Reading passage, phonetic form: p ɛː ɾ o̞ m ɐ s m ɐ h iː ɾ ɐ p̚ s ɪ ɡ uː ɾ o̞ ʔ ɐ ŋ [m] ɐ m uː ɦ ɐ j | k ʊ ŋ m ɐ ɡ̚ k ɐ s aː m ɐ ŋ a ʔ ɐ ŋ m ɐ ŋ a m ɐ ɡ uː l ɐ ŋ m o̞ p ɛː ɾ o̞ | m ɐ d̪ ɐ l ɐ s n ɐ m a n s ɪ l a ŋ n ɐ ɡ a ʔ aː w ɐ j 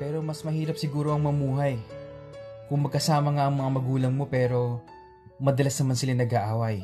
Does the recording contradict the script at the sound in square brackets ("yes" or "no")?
no